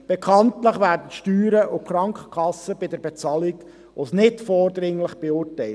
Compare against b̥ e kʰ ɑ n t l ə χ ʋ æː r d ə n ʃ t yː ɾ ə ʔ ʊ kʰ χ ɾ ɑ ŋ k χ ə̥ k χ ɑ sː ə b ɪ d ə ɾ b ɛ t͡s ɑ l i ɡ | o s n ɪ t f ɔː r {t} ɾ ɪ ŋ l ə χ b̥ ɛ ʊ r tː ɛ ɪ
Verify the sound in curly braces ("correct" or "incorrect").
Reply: incorrect